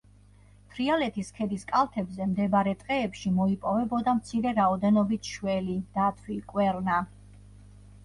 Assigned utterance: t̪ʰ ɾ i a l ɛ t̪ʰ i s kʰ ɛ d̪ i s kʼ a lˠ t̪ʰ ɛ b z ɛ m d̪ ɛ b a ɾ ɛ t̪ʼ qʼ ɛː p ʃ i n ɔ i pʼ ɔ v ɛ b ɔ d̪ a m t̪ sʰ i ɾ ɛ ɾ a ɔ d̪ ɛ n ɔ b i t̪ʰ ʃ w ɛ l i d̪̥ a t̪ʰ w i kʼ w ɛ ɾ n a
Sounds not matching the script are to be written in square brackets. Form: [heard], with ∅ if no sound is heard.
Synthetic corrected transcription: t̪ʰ ɾ i a l ɛ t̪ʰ i s kʰ ɛ d̪ i s kʼ a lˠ t̪ʰ ɛ b z ɛ m d̪ ɛ b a ɾ ɛ t̪ʼ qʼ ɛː p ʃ i [m] ɔ i pʼ ɔ v ɛ b ɔ d̪ a m t̪ sʰ i ɾ ɛ ɾ a ɔ d̪ ɛ n ɔ b i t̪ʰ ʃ w ɛ l i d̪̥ a t̪ʰ w i kʼ w ɛ ɾ n a